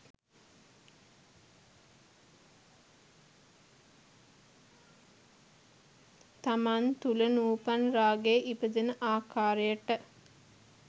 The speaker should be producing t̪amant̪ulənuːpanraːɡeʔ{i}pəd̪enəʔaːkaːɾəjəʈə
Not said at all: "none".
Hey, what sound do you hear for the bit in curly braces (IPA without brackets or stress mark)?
i